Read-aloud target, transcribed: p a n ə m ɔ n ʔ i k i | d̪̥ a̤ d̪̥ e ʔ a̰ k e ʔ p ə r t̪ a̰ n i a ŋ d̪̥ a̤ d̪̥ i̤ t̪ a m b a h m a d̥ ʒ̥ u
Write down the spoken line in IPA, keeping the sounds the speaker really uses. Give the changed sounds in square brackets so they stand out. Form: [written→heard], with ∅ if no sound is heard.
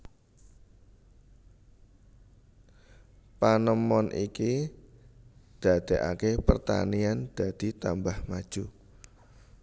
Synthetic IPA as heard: p a n ə m ɔ n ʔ i k i | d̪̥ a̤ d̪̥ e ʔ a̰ k e [ʔ→∅] p ə r t̪ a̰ n i a [ŋ→n] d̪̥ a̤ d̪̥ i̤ t̪ a m b a h m a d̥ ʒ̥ u